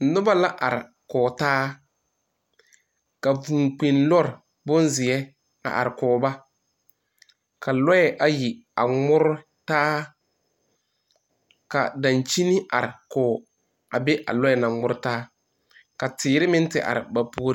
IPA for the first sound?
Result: n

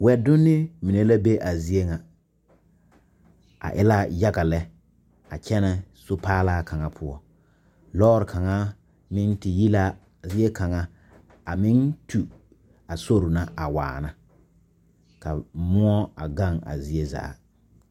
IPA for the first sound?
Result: w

